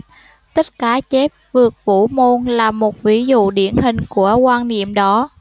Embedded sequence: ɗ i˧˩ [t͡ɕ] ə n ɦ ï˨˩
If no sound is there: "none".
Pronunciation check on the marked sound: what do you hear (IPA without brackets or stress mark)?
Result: none